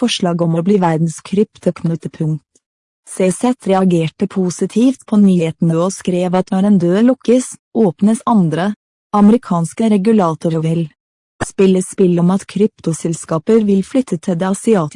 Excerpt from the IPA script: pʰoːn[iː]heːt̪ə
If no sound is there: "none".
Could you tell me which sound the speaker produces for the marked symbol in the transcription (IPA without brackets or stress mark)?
yː